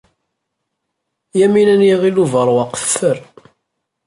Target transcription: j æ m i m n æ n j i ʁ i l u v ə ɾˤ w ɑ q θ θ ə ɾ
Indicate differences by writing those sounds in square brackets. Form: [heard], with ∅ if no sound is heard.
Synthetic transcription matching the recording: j æ m i [∅] n æ n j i ʁ i l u v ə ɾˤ w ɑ q θ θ ə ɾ